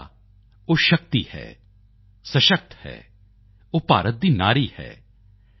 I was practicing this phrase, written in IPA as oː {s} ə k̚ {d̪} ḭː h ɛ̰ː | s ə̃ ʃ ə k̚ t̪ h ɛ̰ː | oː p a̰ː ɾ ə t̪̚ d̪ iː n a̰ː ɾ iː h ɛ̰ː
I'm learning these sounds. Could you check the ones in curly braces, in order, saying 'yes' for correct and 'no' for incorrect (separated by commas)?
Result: no, no